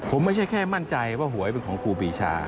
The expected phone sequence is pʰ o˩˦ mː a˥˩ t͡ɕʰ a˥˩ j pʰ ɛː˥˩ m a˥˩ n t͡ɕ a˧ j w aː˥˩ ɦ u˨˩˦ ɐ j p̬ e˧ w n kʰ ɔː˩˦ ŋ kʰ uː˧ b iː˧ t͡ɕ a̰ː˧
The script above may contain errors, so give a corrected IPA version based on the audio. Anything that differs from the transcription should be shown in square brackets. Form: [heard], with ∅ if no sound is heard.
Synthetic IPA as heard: pʰ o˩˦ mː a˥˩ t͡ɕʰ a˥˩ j [kʰ] ɛː˥˩ m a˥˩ n t͡ɕ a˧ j w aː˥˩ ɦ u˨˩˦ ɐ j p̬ e˧ [∅] n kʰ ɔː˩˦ ŋ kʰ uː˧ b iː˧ [t͡ɕʰ] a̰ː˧